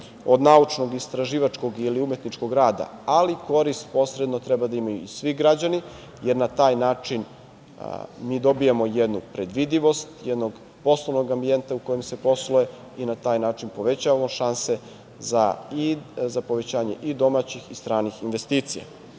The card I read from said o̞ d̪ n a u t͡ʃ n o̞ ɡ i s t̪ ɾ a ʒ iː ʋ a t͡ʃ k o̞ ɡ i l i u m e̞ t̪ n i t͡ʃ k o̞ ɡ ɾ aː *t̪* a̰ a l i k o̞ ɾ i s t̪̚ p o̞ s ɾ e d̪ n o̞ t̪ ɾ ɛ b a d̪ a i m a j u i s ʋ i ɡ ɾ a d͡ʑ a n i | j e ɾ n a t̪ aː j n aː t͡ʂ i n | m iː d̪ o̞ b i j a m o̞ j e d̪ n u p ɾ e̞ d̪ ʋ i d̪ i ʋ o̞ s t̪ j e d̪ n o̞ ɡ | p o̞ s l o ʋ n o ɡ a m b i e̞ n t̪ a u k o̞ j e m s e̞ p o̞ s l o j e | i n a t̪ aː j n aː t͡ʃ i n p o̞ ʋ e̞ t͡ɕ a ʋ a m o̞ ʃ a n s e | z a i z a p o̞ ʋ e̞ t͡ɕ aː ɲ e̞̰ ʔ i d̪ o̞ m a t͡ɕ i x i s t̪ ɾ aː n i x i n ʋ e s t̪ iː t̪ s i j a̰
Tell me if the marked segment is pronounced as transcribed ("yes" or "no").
no